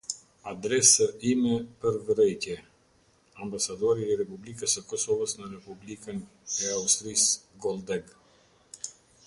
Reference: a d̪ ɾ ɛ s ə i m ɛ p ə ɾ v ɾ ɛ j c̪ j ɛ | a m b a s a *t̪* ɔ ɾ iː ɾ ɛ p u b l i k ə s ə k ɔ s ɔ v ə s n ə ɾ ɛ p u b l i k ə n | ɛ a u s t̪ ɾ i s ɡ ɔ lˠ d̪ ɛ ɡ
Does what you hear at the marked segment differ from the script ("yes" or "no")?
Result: yes